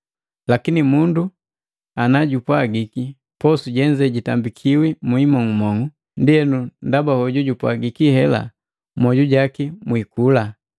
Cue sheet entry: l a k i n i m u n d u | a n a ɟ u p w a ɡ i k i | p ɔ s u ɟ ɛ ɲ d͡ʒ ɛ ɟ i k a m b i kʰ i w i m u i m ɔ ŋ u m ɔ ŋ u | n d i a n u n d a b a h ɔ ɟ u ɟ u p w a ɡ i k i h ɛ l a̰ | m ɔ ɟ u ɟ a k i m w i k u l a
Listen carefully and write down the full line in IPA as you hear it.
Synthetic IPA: l a k i n i m u n d u | a n a ɟ u p w a ɡ i k i | p ɔ s u ɟ ɛ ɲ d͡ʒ ɛ ɟ i t a m b i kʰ i w i m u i m ɔ ŋ u m ɔ ŋ u | n d i ɛ n u n d a b a h ɔ ɟ u ɟ u p w a ɡ i k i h ɛ l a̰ | m ɔ ɟ u ɟ a k i m w i k u l a